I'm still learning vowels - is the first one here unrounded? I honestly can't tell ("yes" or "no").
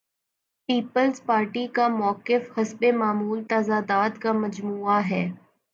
yes